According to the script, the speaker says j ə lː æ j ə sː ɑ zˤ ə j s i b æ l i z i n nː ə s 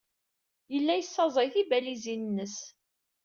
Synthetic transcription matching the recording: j ə lː æ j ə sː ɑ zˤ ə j θ i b æ l i z i n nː ə s